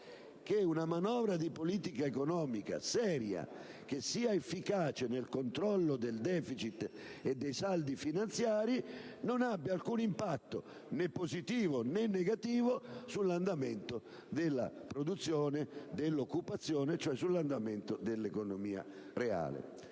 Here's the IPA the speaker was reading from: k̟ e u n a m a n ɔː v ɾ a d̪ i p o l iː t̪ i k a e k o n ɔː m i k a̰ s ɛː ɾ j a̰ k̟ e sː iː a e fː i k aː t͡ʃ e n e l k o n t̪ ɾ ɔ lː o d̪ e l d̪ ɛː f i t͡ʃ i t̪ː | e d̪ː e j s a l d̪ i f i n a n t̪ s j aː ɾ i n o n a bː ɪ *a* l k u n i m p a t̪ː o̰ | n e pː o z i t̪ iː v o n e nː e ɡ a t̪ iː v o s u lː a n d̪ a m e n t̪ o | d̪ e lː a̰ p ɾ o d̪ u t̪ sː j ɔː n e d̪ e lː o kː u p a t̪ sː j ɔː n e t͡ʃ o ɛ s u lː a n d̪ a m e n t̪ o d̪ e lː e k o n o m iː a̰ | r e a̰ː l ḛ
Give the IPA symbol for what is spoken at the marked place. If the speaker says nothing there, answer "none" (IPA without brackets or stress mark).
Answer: a